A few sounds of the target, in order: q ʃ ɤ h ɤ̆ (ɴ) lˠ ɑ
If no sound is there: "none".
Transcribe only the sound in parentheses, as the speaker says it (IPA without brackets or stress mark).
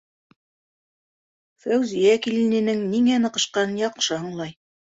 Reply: ɴ